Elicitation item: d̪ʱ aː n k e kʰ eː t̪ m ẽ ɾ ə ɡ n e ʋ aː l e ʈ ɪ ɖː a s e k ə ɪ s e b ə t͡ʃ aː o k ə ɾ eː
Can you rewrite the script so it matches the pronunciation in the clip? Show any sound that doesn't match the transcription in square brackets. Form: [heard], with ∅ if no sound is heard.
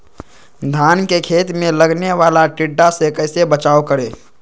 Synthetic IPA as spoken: d̪ʱ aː n k e kʰ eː t̪ m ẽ [l] ə ɡ n e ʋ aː l [a] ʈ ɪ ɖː a s e k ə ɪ s e b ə t͡ʃ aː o k ə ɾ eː